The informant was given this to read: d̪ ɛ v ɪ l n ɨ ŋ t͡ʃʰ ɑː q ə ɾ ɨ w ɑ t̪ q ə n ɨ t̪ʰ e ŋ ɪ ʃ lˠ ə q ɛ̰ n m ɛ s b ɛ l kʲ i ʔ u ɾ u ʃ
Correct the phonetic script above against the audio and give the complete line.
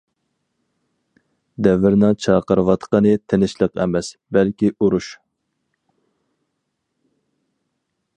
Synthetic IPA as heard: d̪ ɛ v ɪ ɾ n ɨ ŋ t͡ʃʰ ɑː q ə ɾ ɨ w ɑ t̪ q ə n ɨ t̪ʰ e n ɪ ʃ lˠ ə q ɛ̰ m ɛ s b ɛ l kʲ i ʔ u ɾ u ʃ